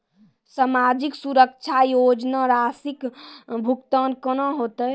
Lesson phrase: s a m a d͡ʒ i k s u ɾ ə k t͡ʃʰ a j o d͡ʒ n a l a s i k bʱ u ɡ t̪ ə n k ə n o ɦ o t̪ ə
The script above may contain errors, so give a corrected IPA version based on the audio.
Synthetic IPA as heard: s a m a d͡ʒ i k s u ɾ ə k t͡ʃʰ a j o d͡ʒ n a ɾ a s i k bʱ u k t̪ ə n k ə n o ɦ o t̪ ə